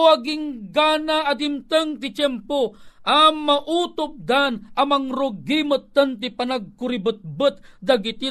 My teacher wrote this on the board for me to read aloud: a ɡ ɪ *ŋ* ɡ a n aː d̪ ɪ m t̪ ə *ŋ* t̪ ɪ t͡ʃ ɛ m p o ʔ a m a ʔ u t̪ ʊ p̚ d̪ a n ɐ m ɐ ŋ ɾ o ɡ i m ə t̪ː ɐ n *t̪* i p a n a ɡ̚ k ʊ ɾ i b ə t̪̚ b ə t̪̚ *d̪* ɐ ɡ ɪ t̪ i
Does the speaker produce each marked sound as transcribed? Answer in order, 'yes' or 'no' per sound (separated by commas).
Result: yes, yes, yes, yes